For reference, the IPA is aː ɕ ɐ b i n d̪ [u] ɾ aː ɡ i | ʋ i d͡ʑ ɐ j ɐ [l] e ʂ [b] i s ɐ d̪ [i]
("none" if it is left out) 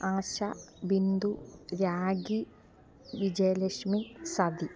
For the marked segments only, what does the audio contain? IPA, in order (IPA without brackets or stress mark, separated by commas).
u, l, m, i